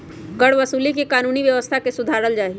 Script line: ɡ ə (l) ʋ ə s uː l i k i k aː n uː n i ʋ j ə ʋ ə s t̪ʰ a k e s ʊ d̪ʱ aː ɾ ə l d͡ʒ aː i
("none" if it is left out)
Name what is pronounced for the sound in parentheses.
ɽ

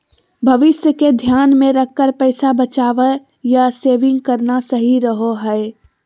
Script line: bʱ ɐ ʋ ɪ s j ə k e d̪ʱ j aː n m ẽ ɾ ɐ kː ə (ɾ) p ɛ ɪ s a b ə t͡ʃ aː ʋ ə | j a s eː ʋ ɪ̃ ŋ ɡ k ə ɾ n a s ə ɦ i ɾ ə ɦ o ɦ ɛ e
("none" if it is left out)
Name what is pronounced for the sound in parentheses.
ɾ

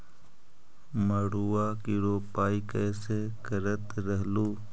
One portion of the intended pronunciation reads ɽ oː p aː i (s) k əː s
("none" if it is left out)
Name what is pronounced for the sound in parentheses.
none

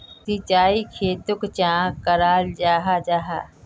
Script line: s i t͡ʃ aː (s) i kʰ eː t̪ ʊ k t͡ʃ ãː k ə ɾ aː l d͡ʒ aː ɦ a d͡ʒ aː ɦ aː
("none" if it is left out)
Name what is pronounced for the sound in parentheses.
none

